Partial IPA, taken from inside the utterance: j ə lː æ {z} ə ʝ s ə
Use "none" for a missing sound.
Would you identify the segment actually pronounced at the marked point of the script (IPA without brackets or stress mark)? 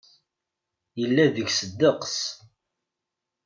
ð